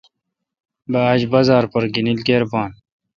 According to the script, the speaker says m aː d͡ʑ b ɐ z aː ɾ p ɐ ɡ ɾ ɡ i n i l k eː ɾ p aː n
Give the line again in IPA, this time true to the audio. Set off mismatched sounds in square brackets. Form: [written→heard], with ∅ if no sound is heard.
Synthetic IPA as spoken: [m→b] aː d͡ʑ b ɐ z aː ɾ p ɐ [ɡ→∅] ɾ ɡ i n i l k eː ɾ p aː n